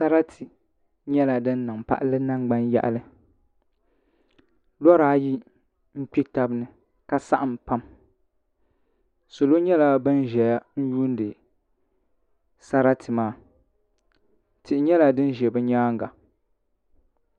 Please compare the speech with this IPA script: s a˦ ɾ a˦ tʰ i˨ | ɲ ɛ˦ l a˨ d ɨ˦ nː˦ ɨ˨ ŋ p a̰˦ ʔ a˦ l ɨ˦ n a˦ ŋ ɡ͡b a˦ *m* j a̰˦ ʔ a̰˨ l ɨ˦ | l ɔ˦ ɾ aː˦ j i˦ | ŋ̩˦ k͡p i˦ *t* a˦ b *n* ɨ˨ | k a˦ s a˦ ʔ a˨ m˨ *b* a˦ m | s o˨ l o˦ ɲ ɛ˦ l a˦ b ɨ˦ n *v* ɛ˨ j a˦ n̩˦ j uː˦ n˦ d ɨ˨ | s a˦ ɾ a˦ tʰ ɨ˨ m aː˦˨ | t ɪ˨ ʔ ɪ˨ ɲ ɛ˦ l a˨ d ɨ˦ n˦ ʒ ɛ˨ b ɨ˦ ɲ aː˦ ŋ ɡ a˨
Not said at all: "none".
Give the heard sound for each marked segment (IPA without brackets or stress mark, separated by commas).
n, t, n, p, ʒ